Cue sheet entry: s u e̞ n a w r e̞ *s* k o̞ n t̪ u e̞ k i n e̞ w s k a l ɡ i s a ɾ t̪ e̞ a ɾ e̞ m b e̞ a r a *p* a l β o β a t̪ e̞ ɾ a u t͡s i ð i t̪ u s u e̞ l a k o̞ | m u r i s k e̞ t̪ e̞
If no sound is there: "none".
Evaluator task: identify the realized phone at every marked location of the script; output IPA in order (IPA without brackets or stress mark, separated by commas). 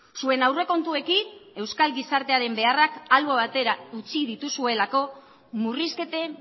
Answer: none, k